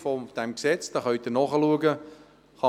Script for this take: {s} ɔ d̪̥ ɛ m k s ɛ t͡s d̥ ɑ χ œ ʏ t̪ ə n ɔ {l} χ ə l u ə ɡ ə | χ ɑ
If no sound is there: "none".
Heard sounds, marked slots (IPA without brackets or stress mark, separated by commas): f, none